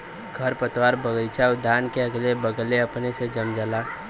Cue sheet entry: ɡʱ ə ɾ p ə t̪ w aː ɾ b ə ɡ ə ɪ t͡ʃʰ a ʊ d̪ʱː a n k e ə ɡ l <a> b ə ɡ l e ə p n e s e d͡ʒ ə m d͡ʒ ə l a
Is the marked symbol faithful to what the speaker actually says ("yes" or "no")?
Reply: no